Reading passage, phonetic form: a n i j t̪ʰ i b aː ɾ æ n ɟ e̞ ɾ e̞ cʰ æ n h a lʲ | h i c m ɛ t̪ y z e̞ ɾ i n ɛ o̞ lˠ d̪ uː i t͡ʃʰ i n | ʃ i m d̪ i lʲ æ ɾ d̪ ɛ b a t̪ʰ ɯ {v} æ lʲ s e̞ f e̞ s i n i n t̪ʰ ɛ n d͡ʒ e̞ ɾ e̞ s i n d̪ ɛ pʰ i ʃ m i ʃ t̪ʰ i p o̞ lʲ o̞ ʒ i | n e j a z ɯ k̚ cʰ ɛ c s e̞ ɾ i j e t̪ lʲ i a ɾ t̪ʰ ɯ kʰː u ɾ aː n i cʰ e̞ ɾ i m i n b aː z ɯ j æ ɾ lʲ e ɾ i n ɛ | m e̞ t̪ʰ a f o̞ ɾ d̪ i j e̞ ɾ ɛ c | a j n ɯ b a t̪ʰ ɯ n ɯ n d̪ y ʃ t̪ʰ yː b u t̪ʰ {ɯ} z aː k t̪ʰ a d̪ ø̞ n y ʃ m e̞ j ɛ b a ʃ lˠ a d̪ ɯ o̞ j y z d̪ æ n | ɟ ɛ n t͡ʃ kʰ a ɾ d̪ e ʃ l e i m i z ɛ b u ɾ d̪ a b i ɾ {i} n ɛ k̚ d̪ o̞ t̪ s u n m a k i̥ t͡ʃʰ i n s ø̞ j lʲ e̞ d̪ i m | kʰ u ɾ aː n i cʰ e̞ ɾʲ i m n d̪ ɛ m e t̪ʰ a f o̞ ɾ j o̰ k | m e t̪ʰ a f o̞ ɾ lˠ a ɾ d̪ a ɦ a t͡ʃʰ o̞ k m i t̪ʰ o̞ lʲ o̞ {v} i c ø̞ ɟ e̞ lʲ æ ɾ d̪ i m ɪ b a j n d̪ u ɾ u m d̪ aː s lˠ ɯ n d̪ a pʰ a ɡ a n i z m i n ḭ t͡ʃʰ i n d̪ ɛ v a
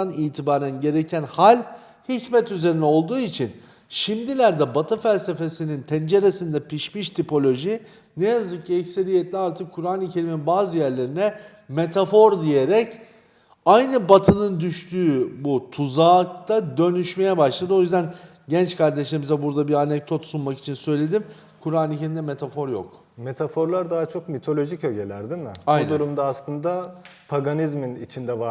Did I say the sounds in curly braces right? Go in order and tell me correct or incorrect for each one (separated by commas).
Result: incorrect, incorrect, incorrect, incorrect